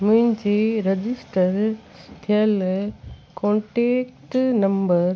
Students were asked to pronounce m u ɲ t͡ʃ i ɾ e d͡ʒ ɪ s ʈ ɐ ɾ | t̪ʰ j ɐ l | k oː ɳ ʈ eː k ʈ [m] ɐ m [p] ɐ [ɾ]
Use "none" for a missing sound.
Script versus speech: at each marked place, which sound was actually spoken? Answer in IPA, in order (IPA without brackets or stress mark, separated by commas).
n, b, ɾ